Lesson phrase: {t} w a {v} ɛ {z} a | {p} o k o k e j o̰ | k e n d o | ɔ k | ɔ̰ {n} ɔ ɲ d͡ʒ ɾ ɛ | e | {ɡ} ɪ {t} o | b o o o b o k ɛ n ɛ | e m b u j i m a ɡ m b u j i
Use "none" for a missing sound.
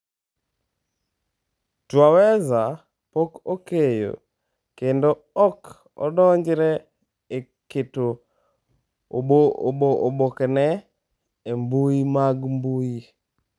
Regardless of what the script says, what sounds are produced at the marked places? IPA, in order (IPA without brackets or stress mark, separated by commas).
t, w, z, p, d, k, t